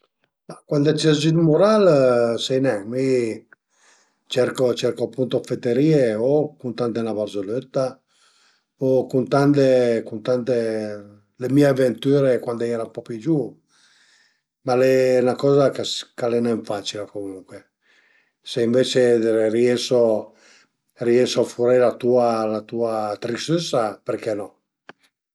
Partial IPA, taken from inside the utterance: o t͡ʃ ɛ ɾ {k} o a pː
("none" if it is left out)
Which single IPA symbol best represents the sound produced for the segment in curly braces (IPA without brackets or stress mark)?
k